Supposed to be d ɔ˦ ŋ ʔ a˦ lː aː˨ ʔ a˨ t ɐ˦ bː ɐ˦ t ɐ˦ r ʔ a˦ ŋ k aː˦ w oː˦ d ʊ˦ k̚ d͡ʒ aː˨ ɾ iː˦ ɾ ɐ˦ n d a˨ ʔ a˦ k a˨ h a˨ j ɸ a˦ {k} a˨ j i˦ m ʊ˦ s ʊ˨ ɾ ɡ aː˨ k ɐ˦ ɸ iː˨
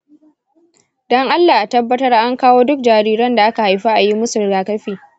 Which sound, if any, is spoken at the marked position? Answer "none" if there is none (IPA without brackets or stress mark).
ʔ